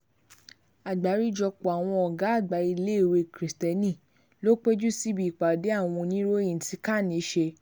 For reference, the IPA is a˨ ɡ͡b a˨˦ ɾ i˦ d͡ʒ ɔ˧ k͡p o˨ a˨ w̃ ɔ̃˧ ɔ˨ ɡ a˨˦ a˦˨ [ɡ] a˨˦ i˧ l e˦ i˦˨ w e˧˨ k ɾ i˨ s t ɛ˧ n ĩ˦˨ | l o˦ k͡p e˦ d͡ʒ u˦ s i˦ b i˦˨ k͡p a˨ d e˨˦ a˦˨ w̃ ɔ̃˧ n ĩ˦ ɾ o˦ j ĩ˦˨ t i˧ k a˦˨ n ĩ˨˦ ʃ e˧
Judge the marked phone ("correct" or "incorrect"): incorrect